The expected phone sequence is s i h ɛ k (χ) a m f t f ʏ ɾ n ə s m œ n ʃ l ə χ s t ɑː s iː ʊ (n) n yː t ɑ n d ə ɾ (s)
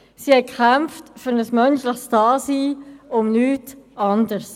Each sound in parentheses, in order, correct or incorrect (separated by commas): correct, incorrect, correct